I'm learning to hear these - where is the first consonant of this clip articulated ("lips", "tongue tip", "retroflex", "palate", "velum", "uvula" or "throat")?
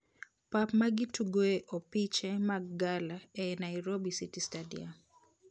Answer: lips